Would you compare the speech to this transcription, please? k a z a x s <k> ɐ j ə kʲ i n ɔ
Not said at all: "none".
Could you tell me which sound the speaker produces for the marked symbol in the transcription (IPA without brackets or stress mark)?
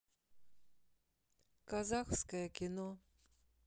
k